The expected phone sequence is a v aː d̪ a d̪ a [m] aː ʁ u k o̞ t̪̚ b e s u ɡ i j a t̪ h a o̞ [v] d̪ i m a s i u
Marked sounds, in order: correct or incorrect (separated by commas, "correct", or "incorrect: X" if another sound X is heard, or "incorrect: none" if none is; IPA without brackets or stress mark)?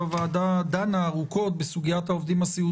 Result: incorrect: n, correct